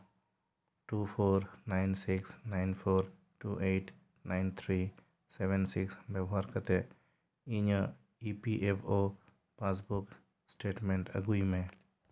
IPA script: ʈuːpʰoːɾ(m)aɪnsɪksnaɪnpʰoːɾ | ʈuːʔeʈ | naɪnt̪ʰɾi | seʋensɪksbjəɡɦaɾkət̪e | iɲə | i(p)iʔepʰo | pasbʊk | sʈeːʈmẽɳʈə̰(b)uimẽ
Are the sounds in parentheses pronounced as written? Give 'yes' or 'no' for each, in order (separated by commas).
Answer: no, yes, no